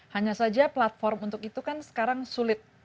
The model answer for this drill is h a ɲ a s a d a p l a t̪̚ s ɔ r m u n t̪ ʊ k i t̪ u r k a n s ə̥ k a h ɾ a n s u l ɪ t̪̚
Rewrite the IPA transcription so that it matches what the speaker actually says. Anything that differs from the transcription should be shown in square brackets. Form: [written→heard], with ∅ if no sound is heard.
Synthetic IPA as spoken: h a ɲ a s a [d→d͡ʒ] a p l a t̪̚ [s→f] ɔ r m u n t̪ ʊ k i t̪ u [r→∅] k a n s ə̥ k a [h→∅] ɾ a [n→ŋ] s u l ɪ t̪̚